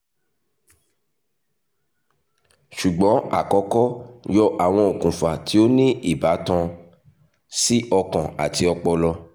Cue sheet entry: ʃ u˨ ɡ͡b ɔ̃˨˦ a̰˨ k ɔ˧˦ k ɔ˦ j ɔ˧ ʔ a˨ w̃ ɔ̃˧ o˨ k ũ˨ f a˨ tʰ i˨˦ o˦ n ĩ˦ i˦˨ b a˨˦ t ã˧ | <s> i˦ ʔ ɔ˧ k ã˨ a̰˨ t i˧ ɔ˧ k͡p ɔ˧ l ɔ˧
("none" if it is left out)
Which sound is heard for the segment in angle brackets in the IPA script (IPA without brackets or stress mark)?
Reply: s